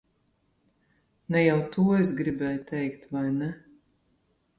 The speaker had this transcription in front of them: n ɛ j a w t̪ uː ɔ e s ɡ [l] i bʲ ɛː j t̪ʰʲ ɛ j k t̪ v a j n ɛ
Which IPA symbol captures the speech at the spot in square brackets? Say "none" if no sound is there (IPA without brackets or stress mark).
ɾ